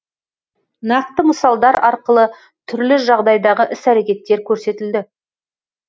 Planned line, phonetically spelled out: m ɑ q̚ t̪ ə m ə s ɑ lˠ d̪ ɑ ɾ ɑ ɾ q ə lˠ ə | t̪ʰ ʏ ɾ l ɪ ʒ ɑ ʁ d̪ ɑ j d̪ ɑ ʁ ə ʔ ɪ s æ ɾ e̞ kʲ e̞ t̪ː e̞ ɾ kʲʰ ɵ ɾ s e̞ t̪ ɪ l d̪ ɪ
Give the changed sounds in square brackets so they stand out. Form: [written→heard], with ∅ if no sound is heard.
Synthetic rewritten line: [m→n] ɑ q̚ t̪ ə m ə s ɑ lˠ d̪ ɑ ɾ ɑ ɾ q ə lˠ ə | t̪ʰ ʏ ɾ l ɪ ʒ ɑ ʁ d̪ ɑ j d̪ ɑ ʁ ə ʔ ɪ s æ ɾ e̞ kʲ e̞ t̪ː e̞ ɾ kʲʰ ɵ ɾ s e̞ t̪ ɪ l d̪ ɪ